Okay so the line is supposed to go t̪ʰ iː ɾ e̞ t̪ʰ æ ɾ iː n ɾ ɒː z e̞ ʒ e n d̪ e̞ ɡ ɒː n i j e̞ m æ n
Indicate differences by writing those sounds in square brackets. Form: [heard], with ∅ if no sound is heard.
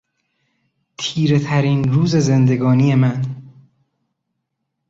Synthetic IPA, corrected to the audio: t̪ʰ iː ɾ e̞ t̪ʰ æ ɾ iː n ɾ [uː] z e̞ [z] e n d̪ e̞ ɡ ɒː n i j e̞ m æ n